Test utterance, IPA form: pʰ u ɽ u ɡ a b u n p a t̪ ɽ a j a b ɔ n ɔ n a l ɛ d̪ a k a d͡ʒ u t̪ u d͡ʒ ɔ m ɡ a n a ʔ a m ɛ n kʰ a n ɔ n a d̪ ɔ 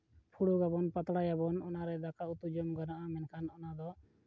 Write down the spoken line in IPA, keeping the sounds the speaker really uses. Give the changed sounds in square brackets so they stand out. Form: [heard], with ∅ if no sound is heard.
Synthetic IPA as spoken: pʰ u ɽ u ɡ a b [ɔ] n p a t̪ ɽ a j a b ɔ n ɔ n a [ɾ] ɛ d̪ a k a [∅] u t̪ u d͡ʒ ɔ m ɡ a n a ʔ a m ɛ n kʰ a n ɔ n a d̪ ɔ